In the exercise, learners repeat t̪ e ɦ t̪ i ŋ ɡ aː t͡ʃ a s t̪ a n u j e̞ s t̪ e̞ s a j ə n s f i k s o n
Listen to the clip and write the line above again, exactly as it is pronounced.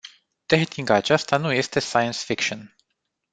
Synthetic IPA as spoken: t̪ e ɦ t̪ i ŋ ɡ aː t͡ʃ a s t̪ a n u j e̞ s t̪ e̞ s a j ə n s f i k ʃ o n